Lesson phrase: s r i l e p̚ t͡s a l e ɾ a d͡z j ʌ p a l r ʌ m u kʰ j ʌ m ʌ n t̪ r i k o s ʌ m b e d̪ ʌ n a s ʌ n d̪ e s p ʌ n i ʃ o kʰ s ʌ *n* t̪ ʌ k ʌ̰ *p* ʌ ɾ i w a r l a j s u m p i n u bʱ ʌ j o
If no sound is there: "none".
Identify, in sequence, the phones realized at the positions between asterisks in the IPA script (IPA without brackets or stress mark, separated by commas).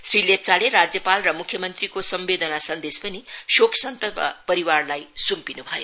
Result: n, p